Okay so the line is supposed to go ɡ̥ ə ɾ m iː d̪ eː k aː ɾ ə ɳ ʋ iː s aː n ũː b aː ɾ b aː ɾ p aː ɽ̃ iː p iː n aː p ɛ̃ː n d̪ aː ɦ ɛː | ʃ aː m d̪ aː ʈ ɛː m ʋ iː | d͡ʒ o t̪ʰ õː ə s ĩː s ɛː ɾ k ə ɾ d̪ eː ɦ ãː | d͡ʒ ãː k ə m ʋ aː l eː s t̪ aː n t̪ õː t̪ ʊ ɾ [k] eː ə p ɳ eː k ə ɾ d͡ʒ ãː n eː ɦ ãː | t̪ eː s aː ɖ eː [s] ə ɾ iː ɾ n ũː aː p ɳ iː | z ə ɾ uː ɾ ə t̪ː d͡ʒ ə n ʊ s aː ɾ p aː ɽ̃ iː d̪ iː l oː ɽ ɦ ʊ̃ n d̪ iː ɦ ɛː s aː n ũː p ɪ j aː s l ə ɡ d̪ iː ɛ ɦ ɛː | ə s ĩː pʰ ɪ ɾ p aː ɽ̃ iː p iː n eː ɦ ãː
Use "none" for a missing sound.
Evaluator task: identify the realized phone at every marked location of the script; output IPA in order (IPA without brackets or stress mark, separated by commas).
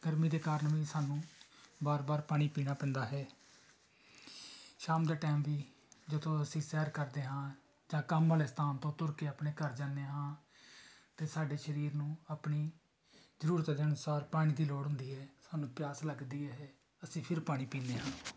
k, ʃ